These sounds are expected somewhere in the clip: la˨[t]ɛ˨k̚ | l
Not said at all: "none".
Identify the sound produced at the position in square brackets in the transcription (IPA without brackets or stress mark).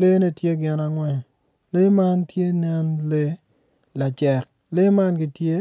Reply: t͡ʃ